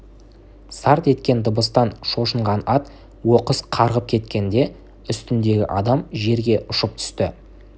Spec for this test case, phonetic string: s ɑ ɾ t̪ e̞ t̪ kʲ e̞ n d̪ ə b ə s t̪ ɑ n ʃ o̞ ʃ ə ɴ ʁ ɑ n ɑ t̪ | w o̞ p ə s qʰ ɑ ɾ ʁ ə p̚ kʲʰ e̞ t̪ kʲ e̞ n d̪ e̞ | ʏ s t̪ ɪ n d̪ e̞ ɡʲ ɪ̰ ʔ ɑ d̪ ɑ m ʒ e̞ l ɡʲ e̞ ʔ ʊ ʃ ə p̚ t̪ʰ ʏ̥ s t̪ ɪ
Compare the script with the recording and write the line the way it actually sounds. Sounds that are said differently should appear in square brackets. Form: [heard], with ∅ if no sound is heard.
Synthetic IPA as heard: s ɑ ɾ t̪ e̞ t̪ kʲ e̞ n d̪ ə b ə s t̪ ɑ n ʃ o̞ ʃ ə ɴ ʁ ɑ n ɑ t̪ | w o̞ [q] ə s qʰ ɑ ɾ ʁ ə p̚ kʲʰ e̞ t̪ kʲ e̞ n d̪ e̞ | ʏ s t̪ ɪ n d̪ e̞ ɡʲ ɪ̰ ʔ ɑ d̪ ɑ m ʒ e̞ [ɾ] ɡʲ e̞ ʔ ʊ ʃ ə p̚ t̪ʰ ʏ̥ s t̪ ɪ